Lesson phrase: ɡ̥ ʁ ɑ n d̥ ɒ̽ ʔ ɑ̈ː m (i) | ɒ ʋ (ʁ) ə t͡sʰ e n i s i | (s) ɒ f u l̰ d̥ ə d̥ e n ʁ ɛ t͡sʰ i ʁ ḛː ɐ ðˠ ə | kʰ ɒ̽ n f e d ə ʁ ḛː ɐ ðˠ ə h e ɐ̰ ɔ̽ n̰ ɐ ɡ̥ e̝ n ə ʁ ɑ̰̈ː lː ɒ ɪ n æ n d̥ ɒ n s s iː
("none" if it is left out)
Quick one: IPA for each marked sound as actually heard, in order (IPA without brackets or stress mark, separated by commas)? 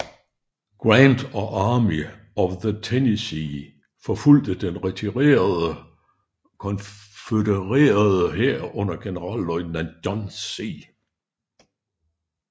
i, ð, f